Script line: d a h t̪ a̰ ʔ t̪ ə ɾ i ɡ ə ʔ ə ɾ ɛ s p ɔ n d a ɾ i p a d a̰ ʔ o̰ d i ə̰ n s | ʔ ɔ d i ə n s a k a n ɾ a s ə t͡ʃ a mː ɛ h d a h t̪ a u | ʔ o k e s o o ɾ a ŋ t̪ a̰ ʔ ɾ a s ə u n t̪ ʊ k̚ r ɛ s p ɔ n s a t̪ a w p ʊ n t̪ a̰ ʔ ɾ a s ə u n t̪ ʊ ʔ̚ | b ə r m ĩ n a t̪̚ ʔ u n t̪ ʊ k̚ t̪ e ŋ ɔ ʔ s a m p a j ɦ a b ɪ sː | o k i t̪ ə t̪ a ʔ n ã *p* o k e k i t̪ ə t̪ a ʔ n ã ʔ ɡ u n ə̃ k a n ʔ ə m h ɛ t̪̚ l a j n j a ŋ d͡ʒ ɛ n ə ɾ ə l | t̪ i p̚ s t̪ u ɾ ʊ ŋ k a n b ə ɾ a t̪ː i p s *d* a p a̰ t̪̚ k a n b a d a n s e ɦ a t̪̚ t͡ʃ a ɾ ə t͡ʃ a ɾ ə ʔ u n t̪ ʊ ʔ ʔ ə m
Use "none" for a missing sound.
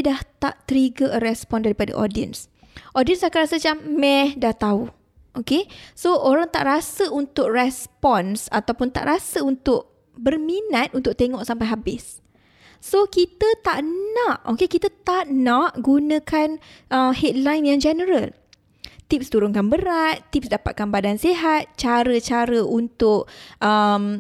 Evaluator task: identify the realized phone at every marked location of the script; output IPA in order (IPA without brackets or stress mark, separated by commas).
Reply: ʔ, d